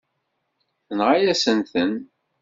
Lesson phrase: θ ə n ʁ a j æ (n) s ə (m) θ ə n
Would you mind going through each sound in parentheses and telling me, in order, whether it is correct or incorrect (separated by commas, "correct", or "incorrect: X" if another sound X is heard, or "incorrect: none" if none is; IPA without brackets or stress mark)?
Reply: incorrect: none, incorrect: n